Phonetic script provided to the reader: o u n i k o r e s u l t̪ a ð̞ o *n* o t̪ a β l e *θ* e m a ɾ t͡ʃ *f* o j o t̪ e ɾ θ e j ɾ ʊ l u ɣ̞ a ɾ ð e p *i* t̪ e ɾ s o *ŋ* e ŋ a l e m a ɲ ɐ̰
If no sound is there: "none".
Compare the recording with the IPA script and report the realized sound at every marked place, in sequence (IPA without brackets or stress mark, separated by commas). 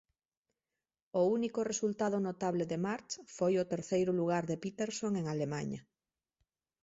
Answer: n, ð, f, i, ŋ